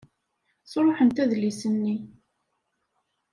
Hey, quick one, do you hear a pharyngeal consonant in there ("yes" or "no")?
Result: yes